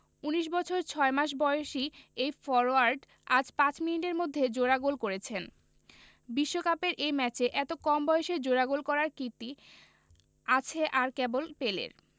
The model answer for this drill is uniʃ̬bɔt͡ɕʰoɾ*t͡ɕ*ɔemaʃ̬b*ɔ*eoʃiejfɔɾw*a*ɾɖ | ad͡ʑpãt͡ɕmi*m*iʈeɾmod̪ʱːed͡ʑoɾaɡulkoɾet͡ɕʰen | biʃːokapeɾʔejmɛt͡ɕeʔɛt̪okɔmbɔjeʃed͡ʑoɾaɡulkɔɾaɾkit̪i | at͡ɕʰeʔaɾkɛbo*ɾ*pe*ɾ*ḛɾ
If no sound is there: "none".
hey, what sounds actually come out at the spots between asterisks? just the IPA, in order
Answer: t͡ɕʰ, ɔ, a, n, l, l

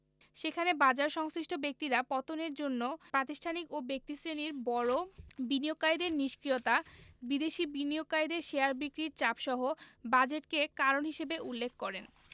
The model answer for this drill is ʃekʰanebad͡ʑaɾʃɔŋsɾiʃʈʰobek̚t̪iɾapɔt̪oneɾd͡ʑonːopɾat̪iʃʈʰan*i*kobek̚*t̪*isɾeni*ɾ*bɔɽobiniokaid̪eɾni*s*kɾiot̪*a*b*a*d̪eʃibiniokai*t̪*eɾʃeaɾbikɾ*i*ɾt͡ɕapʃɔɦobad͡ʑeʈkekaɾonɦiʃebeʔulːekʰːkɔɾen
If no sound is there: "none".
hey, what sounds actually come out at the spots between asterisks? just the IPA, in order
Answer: i, t̪, ɾ, ʃ, a, i, d̪, i

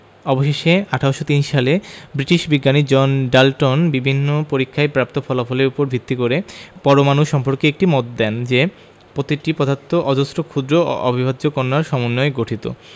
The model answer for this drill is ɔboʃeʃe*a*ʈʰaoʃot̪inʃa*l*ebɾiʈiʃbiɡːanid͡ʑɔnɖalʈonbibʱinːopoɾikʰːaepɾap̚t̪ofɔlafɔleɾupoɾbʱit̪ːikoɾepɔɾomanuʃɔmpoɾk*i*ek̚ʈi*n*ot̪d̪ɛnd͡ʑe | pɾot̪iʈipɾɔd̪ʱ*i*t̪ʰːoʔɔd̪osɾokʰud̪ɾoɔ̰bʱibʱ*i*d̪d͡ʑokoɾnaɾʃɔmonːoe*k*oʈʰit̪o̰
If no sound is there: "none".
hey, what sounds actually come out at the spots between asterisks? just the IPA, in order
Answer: a, l, e, m, a, a, ɡ

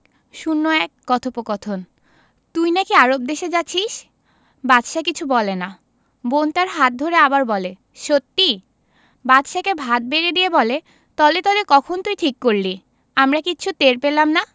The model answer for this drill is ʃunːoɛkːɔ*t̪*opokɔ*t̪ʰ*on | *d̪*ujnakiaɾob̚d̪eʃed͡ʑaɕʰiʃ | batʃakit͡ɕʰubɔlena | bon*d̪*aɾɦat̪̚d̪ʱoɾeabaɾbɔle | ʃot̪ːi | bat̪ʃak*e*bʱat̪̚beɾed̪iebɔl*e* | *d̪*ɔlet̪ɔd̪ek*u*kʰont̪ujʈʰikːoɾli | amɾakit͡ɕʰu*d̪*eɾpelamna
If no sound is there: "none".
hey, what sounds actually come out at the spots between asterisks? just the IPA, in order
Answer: t̪ʰ, t̪ʰ, t̪, t̪, e, e, t̪, ɔ, t̪

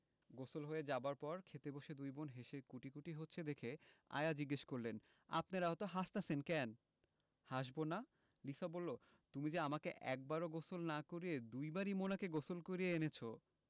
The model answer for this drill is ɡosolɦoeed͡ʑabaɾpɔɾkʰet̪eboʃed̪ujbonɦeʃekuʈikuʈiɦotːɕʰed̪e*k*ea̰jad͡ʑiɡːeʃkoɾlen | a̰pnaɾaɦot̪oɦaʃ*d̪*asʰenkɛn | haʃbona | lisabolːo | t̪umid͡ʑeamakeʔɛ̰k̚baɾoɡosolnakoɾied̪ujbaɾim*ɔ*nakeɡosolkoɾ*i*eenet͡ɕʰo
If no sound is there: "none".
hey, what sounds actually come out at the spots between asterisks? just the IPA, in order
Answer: kʰ, t̪, o, i

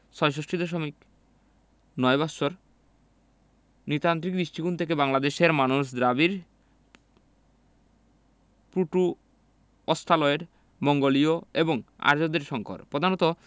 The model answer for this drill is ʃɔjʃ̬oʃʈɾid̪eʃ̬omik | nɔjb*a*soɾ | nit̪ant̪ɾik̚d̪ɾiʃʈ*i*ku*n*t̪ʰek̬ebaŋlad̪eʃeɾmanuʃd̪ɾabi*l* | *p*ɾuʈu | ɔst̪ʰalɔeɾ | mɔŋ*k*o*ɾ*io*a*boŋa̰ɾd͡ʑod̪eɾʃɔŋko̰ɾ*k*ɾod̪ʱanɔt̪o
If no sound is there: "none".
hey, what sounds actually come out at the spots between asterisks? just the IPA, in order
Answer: a, i, n, ɾ, p, ɡ, l, e, p

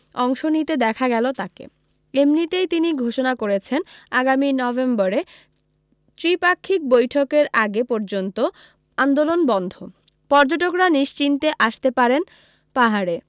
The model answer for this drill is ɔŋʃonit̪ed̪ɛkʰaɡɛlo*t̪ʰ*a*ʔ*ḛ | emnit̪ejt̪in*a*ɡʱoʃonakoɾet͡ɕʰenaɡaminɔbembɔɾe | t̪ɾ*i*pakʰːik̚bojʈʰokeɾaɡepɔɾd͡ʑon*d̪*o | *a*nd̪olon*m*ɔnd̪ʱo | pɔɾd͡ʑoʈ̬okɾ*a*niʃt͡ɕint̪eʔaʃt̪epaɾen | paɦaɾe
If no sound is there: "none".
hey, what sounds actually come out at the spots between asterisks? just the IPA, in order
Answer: t̪, k, i, i, t̪, a, b, a

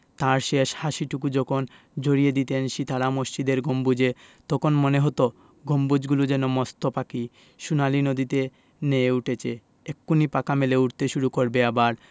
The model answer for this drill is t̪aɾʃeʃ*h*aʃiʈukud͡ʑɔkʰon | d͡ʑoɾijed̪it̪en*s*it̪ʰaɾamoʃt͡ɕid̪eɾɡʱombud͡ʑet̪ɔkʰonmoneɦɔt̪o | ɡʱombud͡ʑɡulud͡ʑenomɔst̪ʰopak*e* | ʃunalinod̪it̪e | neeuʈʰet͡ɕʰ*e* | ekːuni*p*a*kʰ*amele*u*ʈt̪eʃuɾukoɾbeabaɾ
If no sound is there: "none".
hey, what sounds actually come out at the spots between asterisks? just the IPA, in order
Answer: h, ʃ, i, e, p, k, u

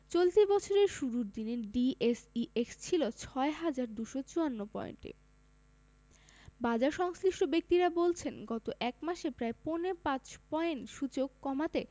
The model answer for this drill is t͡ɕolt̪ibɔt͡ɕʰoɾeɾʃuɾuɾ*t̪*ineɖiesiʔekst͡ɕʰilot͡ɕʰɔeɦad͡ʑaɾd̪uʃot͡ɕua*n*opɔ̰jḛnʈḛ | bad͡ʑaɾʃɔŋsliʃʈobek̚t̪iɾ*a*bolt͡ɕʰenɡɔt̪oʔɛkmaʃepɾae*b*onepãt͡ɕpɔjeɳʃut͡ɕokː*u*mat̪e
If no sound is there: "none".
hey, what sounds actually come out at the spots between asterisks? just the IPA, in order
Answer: d̪, nː, a, p, ɔ

